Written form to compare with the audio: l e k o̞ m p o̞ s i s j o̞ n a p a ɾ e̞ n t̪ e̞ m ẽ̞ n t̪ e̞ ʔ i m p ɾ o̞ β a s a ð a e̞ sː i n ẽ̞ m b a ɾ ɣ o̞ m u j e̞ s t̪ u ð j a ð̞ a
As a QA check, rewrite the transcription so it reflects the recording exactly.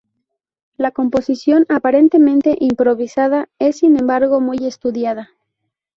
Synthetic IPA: l a k o̞ m p o̞ s i s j o̞ n a p a ɾ e̞ n t̪ e̞ m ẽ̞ n t̪ e̞ ʔ i m p ɾ o̞ β i s a ð a e̞ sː i n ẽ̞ m b a ɾ ɣ o̞ m u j e̞ s t̪ u ð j a ð̞ a